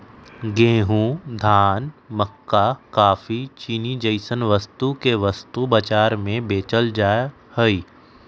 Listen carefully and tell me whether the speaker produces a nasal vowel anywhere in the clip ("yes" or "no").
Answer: yes